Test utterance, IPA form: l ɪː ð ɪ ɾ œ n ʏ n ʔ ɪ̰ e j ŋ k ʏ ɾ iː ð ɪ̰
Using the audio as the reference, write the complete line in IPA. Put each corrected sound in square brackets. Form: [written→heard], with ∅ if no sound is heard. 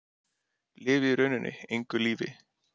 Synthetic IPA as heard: l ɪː [ð→v] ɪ ɾ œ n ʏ n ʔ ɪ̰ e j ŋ k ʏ [ɾ→l] iː [ð→v] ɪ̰